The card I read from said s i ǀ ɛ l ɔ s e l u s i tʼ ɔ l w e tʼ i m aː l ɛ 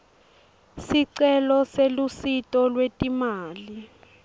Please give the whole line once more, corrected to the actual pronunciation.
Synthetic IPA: s i ǀ ɛ l ɔ s e l u s i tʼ ɔ l w e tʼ i m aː l i